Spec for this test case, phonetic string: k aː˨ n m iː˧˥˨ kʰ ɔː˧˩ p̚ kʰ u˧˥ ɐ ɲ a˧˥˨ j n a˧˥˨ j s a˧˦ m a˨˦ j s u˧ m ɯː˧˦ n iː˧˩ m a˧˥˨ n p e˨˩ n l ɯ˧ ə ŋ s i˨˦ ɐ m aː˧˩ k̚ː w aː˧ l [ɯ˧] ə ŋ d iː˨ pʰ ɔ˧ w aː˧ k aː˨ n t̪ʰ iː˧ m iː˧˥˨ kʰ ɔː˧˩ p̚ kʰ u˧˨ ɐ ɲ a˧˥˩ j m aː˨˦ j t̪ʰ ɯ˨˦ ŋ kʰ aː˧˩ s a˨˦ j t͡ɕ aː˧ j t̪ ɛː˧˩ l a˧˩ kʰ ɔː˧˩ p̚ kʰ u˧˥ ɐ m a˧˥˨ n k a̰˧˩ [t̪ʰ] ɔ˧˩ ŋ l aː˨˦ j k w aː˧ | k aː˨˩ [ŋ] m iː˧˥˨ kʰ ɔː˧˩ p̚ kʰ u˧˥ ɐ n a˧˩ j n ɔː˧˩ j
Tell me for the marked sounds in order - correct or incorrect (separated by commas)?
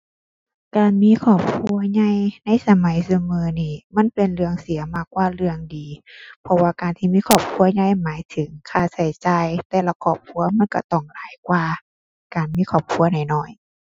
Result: correct, incorrect, incorrect